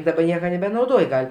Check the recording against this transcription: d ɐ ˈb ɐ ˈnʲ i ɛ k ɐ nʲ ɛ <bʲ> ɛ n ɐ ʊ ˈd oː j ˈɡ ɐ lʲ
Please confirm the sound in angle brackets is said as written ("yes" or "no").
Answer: yes